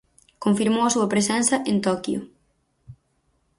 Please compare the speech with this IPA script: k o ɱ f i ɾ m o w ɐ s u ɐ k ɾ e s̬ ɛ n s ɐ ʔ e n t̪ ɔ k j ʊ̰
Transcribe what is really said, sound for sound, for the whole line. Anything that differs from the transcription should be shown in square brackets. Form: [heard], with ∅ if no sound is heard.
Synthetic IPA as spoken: k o ɱ f i ɾ m o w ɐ s u ɐ [p] ɾ e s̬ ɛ n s ɐ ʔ e n t̪ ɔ k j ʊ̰